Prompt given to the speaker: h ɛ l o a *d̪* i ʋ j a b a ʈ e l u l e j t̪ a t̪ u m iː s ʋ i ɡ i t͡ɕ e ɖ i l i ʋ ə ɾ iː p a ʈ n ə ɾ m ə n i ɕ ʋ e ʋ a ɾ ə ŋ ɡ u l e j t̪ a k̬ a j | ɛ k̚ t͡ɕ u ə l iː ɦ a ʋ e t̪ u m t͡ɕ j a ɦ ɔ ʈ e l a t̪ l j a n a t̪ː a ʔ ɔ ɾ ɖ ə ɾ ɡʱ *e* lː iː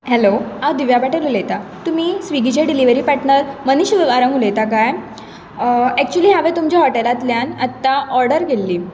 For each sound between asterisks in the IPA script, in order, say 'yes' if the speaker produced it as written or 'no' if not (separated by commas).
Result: yes, yes